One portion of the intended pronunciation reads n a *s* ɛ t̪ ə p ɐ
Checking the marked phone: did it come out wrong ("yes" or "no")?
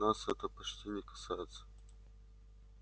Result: no